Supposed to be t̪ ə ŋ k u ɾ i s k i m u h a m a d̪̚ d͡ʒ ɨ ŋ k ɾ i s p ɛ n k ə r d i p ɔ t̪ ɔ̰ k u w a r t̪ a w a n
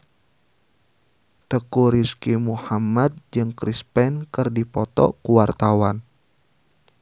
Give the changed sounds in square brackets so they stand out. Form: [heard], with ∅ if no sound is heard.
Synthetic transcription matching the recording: t̪ ə [∅] k u ɾ i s k i m u h a m a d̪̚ d͡ʒ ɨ ŋ k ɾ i s p ɛ n k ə r d i p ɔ t̪ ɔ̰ k u w a r t̪ a w a n